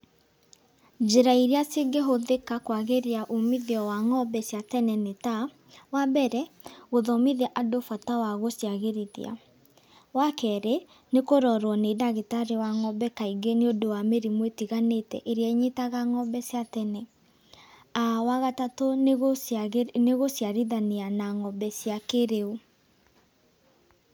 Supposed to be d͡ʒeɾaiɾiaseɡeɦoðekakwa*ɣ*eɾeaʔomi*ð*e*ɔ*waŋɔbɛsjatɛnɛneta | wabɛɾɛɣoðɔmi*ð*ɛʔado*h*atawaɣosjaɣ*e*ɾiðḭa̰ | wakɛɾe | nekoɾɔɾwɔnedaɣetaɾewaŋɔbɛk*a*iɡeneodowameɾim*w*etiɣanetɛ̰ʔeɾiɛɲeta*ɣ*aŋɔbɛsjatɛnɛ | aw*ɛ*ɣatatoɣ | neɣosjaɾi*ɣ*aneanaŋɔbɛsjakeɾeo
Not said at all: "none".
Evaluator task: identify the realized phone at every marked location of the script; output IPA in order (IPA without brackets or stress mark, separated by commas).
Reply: ɣ, ð, ɔ, ð, f, e, a, w, ɣ, a, ð